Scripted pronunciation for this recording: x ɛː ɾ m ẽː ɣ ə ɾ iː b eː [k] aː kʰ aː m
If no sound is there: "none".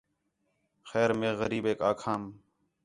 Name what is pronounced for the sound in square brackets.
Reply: k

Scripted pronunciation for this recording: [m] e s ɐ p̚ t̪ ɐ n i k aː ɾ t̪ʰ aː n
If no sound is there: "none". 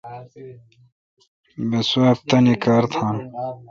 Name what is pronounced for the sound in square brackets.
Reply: b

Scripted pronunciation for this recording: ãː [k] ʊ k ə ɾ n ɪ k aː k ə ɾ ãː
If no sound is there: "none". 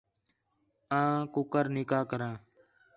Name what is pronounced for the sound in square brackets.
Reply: k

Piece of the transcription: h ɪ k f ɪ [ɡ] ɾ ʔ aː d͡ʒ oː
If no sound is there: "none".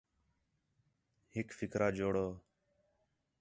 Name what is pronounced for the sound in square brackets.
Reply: k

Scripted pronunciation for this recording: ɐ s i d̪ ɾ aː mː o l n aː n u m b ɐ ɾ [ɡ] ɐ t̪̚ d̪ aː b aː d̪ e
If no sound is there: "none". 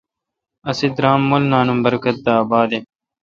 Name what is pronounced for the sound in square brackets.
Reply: k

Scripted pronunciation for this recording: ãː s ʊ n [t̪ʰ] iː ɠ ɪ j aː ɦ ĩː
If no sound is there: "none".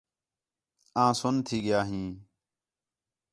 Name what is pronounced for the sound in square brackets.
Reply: t̪ʰ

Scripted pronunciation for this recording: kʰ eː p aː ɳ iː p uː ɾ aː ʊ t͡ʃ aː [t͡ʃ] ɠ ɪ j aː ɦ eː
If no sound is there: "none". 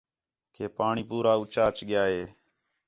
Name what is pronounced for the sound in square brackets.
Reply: t͡ʃ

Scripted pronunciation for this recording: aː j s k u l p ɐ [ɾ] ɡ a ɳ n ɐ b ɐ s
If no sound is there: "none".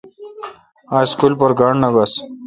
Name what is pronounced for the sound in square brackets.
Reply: ɾ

